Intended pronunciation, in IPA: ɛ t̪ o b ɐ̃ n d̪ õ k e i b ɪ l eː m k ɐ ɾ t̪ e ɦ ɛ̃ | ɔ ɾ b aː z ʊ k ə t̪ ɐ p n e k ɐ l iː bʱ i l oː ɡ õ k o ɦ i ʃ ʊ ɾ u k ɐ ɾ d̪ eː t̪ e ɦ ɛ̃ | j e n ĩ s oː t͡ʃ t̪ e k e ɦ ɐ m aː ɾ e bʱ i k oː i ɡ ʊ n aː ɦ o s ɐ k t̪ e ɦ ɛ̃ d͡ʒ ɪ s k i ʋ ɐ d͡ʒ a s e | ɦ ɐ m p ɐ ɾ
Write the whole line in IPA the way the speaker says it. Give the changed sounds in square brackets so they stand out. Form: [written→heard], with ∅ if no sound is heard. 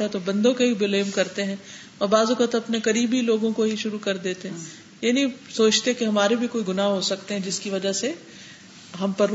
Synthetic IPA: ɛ t̪ o b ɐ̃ n d̪ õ k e i b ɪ l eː m k ɐ ɾ t̪ e ɦ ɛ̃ | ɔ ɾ b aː z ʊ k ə t̪ ɐ p n e k ɐ [l→ɾ] iː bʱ i l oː ɡ õ k o ɦ i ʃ ʊ ɾ u k ɐ ɾ d̪ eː t̪ e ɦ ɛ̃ | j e n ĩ s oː t͡ʃ t̪ e k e ɦ ɐ m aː ɾ e bʱ i k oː i ɡ ʊ n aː ɦ o s ɐ k t̪ e ɦ ɛ̃ d͡ʒ ɪ s k i ʋ ɐ d͡ʒ a s e | ɦ ɐ m p ɐ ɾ